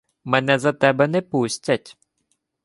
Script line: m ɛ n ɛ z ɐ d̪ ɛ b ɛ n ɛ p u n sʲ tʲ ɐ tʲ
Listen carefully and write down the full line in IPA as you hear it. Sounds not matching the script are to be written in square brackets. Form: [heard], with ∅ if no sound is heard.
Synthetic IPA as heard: m ɛ n ɛ z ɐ [t̪] ɛ b ɛ n ɛ p u [∅] sʲ tʲ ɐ tʲ

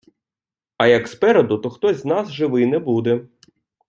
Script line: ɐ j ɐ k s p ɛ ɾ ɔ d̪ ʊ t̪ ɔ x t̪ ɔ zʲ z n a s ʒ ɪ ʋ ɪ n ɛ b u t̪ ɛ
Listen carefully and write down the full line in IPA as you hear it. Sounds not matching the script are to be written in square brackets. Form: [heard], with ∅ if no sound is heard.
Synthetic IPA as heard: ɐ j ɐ k s p ɛ ɾ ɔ d̪ ʊ t̪ ɔ x t̪ ɔ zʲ z n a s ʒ ɪ ʋ ɪ n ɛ b u [d̪] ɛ

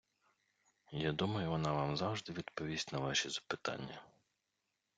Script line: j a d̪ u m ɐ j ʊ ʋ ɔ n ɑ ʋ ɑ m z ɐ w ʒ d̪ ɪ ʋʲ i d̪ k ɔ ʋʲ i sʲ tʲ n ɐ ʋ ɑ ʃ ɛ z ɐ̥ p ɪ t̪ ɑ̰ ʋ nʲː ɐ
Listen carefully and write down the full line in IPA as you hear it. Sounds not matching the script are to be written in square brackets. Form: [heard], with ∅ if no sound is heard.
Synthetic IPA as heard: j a d̪ u m ɐ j ʊ ʋ ɔ n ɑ ʋ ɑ m z [ɑ] w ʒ d̪ ɪ ʋʲ i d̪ [p] ɔ ʋʲ i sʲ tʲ n ɐ ʋ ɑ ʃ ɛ z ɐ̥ p ɪ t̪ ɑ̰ [∅] nʲː ɐ

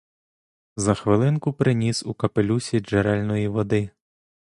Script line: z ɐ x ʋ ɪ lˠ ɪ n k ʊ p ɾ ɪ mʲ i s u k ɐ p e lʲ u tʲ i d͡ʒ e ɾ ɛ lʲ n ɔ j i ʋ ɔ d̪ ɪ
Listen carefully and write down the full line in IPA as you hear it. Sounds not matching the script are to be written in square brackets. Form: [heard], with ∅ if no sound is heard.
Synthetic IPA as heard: z ɐ x ʋ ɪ lˠ ɪ n k ʊ p ɾ ɪ [nʲ] i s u k ɐ p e lʲ u [sʲ] i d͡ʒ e ɾ ɛ lʲ n ɔ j i ʋ ɔ d̪ ɪ

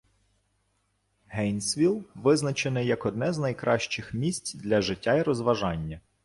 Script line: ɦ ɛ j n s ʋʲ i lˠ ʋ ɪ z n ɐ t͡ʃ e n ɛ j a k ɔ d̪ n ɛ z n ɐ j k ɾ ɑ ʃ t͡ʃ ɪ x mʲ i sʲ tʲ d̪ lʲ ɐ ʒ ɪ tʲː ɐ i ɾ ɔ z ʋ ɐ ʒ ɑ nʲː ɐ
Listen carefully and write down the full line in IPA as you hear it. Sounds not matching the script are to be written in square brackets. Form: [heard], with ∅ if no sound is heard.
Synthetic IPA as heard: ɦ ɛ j n s ʋʲ i lˠ ʋ ɪ z n ɐ t͡ʃ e n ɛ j [ɐ] k ɔ d̪ n ɛ z n ɐ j k ɾ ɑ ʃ t͡ʃ ɪ x mʲ i sʲ tʲ d̪ lʲ ɐ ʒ ɪ tʲː [a] i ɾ ɔ z ʋ ɐ ʒ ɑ nʲː ɐ

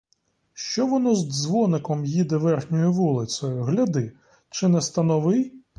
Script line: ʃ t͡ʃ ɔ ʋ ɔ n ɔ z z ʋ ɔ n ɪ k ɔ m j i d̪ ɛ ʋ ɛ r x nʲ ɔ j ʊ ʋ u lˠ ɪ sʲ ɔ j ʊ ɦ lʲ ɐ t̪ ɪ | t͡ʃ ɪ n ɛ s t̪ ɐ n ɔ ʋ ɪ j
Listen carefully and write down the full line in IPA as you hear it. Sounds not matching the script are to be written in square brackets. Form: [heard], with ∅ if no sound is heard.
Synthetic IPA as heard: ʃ t͡ʃ ɔ ʋ ɔ n ɔ z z ʋ ɔ n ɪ k ɔ m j i d̪ ɛ ʋ ɛ r x nʲ ɔ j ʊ ʋ u lˠ ɪ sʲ ɔ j ʊ ɦ lʲ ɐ [d̪] ɪ | t͡ʃ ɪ n ɛ s t̪ ɐ n ɔ ʋ ɪ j

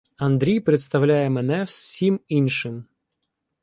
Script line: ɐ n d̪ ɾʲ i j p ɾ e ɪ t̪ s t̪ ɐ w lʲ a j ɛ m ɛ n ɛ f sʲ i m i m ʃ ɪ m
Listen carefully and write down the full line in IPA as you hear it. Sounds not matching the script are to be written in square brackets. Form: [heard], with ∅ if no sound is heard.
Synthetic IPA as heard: ɐ n d̪ ɾʲ i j p ɾ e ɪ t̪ s t̪ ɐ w lʲ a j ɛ m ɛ n ɛ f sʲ i m i [n] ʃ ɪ m

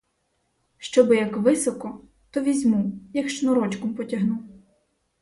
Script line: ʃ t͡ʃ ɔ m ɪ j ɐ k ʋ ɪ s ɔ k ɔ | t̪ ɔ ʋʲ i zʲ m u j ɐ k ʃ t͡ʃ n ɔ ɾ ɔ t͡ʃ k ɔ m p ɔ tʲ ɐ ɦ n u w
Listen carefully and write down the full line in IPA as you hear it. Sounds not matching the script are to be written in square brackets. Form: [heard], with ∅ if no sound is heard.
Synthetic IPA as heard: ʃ t͡ʃ ɔ [b] ɪ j ɐ k ʋ ɪ s ɔ k ɔ | t̪ ɔ ʋʲ i zʲ m u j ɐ k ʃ t͡ʃ n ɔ ɾ ɔ t͡ʃ k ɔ m p ɔ tʲ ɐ ɦ n u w

